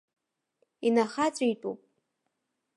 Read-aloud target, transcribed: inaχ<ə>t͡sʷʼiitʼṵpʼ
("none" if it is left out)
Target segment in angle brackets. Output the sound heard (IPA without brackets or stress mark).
a